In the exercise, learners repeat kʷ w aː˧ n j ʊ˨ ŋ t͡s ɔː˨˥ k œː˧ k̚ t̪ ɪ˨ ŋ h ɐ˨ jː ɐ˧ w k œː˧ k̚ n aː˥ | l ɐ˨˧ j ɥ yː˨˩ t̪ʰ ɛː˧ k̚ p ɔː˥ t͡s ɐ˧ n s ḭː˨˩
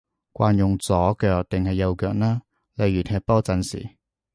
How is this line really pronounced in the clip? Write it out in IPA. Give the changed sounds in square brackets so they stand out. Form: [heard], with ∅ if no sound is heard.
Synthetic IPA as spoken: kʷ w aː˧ n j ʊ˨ ŋ t͡s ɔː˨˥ k œː˧ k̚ t̪ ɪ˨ ŋ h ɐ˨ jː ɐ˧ w k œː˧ k̚ n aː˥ | l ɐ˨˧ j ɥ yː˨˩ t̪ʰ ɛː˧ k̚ p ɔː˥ t͡s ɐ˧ n s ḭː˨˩